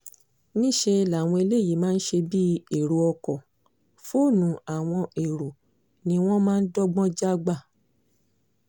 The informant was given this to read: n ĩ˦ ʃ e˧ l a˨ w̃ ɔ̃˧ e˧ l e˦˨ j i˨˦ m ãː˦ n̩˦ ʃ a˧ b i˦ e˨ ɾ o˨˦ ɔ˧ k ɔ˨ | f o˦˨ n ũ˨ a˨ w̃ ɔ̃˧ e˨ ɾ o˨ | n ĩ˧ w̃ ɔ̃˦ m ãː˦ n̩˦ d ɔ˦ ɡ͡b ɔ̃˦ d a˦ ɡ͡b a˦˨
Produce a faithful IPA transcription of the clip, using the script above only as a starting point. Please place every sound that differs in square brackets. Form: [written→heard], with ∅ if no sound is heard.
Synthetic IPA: n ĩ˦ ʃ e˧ l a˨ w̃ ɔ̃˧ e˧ l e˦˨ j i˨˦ m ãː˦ n̩˦ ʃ [a˧→e˧] b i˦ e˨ ɾ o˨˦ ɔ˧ k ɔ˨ | f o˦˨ n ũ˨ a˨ w̃ ɔ̃˧ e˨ ɾ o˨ | n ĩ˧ w̃ ɔ̃˦ m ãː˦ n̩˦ d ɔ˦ ɡ͡b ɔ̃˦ [d→d͡ʒ] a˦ ɡ͡b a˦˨